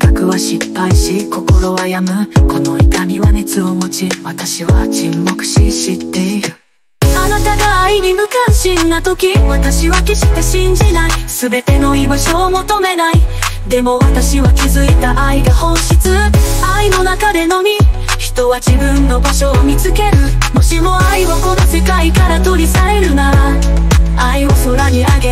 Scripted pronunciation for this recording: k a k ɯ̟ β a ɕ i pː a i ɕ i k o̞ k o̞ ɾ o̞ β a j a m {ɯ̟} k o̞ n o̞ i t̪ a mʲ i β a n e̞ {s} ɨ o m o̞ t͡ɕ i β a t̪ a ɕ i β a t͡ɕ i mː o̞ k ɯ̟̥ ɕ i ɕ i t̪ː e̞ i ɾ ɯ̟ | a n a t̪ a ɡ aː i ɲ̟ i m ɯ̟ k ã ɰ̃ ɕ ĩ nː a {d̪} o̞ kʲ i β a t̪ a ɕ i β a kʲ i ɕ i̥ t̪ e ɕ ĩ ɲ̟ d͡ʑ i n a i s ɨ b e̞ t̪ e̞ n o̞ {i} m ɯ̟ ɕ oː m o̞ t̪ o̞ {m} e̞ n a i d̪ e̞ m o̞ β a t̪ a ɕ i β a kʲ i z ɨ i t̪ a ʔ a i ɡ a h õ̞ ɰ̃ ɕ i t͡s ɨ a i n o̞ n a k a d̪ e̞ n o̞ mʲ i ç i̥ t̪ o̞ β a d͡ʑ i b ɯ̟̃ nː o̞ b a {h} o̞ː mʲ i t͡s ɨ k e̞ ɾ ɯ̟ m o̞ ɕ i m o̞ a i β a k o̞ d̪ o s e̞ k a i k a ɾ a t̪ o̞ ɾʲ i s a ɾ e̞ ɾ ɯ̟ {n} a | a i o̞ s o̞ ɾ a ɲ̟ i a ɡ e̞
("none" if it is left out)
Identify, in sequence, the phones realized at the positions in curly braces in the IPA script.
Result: ɯ̟, t͡s, t̪, i, m, ɕ, n

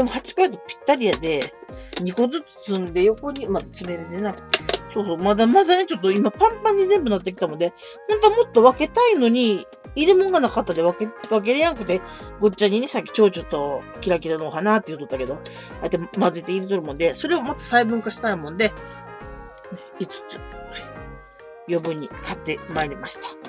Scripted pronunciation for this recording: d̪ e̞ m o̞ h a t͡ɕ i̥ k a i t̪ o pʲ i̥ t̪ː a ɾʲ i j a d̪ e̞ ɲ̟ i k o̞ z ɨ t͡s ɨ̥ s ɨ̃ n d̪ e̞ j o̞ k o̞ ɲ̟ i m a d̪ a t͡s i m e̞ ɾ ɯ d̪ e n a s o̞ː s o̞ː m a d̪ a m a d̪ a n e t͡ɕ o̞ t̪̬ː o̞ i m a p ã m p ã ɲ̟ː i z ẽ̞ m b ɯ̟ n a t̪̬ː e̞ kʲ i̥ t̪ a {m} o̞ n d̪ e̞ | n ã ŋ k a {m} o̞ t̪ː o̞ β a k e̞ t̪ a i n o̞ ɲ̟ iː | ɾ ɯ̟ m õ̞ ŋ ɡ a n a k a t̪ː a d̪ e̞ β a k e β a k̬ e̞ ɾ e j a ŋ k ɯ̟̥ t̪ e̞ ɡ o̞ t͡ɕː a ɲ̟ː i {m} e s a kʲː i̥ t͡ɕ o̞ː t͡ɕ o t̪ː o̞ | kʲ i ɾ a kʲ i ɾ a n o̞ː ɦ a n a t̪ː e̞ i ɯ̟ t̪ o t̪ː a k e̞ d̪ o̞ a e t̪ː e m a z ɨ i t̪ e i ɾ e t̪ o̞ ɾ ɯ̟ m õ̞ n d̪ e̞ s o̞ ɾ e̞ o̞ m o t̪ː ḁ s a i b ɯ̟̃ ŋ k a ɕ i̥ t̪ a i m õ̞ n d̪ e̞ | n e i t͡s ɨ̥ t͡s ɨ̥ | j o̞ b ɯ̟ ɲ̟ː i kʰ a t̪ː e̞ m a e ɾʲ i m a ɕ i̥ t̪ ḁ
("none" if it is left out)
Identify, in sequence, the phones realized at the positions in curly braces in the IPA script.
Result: m, m, n

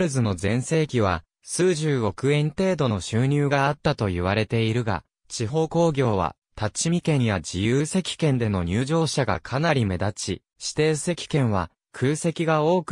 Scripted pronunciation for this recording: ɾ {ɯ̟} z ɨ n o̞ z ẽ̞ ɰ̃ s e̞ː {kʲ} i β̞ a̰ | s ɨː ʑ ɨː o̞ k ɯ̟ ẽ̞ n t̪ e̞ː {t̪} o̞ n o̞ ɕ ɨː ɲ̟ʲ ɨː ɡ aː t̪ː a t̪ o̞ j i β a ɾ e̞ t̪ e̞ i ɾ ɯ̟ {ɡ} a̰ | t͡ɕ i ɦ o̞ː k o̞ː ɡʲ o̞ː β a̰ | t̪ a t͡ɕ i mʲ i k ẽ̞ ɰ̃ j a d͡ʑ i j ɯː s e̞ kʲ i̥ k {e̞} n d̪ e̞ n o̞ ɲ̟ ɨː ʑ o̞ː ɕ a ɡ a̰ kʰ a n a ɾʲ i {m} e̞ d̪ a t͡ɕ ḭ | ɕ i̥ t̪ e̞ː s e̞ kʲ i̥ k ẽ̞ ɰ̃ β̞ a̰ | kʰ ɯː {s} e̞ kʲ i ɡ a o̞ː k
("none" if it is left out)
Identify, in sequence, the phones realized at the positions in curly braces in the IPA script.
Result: ɯ̟, kʲ, d̪, ɡ, ẽ̞, m, s

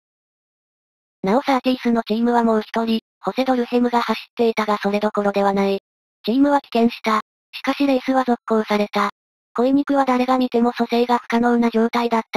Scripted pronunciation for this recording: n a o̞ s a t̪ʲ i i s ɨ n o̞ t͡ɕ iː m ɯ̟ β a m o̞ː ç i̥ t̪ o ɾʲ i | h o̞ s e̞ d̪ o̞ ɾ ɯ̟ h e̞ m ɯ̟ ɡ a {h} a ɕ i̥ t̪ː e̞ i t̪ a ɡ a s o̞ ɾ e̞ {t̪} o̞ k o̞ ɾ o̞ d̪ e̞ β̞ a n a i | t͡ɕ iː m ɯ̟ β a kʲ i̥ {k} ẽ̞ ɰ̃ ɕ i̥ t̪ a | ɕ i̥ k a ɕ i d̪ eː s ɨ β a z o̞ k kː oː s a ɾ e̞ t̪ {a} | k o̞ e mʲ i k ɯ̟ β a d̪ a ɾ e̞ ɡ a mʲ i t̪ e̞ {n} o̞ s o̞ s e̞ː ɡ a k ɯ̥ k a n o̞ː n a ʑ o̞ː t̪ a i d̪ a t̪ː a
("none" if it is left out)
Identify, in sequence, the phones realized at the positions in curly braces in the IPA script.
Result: h, d̪, k, a, m

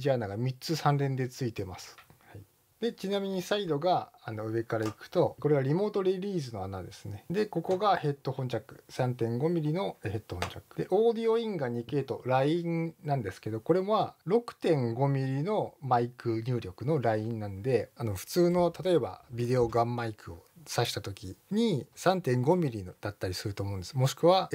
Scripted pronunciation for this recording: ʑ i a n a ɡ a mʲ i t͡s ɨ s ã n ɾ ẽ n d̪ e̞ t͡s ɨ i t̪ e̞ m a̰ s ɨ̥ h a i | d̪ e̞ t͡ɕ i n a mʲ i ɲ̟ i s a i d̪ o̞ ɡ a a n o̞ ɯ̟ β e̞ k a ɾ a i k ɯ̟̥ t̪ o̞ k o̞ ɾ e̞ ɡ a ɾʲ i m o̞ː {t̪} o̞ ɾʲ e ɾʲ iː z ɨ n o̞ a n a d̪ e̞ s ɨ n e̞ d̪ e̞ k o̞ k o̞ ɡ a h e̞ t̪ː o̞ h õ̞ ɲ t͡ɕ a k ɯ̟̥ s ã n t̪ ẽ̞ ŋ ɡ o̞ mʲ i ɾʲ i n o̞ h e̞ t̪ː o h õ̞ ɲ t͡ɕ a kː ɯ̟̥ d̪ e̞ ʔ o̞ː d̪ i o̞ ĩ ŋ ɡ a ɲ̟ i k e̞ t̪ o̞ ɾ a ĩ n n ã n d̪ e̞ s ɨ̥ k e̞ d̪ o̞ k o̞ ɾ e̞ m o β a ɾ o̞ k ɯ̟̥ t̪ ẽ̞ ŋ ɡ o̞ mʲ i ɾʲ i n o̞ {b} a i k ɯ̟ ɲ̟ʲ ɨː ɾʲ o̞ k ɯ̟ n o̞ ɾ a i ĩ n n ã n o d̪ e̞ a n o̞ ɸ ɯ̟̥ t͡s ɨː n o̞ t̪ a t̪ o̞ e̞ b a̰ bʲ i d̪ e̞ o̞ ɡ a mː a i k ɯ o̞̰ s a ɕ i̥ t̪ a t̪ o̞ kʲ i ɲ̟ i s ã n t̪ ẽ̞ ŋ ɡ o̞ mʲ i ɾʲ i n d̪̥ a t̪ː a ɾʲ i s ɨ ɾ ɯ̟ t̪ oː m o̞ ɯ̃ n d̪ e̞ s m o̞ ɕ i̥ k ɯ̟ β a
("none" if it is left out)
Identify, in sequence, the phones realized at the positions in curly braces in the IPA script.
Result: t̪, m

